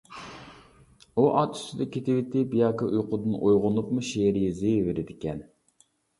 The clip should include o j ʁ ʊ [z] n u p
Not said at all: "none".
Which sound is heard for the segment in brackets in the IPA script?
none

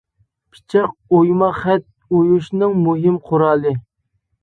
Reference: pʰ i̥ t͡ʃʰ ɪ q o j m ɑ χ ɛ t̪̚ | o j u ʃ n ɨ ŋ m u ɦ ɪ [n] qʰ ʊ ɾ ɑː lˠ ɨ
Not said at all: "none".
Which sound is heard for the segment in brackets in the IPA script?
m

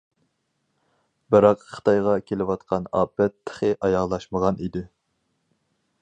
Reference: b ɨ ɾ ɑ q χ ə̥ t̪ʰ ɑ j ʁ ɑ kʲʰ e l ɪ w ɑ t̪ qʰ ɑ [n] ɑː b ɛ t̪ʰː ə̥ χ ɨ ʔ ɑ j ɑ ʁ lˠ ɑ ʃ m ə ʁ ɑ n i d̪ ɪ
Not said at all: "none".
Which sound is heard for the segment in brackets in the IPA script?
n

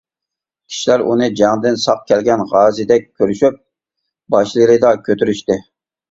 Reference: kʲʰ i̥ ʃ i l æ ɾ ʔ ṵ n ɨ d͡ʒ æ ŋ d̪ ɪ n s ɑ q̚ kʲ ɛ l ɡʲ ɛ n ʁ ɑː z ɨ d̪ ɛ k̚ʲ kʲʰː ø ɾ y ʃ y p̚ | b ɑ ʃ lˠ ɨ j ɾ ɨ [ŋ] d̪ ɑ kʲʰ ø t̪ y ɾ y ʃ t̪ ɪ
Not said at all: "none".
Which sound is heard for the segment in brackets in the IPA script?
none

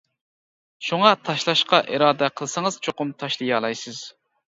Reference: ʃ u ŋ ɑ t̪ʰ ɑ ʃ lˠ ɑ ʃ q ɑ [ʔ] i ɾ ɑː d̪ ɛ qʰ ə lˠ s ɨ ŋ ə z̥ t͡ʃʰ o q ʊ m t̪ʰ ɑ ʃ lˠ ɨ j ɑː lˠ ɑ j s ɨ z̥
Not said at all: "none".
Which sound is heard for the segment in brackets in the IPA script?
ʔ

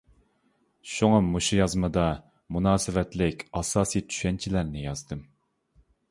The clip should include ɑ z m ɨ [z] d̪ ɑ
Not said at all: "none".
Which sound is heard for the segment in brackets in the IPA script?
none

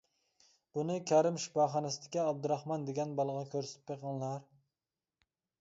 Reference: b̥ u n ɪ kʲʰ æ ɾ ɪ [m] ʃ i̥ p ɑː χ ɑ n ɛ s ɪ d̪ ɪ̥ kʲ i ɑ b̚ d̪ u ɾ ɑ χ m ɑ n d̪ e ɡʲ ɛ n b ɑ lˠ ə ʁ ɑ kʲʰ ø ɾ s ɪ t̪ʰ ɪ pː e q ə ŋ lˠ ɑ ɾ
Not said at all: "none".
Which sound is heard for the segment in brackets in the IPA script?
m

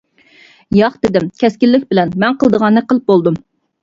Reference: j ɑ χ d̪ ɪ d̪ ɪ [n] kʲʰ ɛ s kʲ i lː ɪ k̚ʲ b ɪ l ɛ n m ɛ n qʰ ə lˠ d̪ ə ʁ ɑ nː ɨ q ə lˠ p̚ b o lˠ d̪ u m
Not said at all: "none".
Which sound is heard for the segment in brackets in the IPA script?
m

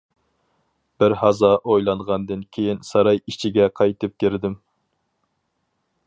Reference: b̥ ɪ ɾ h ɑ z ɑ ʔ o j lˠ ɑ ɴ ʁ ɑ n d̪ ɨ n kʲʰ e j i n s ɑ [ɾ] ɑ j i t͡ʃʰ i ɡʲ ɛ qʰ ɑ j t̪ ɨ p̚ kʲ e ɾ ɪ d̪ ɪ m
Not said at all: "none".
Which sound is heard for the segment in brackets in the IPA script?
ɾ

